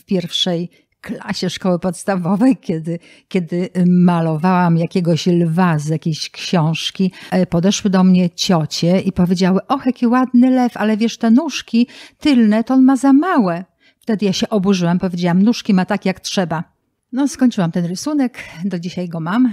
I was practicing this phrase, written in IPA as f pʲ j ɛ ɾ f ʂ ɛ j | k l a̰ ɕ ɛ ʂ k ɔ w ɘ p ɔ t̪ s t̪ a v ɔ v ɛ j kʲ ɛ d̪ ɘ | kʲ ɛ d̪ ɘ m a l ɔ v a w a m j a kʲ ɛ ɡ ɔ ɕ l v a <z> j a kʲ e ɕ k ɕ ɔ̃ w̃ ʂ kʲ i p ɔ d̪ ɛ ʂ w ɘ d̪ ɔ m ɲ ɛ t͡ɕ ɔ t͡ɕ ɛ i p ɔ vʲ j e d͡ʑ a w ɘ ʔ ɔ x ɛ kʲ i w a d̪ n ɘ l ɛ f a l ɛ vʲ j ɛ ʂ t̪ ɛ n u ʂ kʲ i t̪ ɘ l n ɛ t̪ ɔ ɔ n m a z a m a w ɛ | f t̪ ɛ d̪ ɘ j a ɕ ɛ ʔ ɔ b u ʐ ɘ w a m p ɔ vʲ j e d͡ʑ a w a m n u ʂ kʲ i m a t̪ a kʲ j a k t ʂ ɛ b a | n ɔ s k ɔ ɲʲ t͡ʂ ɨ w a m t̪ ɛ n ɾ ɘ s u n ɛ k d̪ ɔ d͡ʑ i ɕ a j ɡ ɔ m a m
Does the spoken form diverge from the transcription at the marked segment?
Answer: no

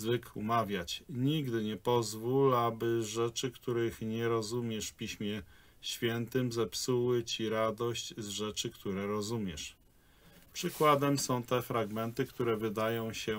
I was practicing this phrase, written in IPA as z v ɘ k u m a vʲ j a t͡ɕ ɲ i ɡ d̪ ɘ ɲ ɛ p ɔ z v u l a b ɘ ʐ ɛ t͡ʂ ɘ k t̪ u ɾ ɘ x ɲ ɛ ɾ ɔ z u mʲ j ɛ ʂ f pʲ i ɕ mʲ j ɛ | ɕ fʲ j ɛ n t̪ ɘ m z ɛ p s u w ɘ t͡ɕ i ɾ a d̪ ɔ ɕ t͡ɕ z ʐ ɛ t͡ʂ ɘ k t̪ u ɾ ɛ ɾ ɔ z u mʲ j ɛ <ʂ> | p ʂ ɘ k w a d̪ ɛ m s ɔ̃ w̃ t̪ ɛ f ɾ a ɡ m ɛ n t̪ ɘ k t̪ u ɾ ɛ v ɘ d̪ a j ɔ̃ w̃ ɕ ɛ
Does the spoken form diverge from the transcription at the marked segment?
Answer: no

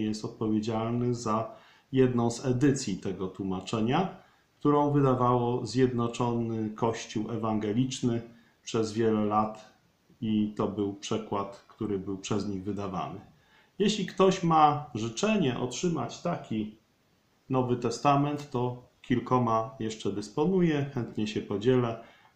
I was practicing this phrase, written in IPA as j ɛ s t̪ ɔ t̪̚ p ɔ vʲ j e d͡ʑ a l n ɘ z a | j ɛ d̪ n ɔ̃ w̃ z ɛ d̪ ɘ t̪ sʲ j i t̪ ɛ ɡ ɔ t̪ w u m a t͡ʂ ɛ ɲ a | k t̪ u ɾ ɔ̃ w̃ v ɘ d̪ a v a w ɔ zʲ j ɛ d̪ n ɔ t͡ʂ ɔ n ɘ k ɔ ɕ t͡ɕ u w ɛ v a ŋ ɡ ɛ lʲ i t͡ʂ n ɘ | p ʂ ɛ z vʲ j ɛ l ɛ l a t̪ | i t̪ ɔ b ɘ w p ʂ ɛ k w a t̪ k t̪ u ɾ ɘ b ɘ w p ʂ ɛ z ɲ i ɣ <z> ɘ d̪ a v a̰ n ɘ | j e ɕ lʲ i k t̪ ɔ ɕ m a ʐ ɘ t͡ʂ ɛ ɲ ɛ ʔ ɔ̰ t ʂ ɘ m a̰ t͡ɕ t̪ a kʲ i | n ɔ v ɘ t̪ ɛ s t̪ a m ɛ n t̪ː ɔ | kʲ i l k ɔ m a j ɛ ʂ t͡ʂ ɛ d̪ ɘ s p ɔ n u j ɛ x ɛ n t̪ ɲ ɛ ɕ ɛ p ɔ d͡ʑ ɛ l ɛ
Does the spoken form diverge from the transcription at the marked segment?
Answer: yes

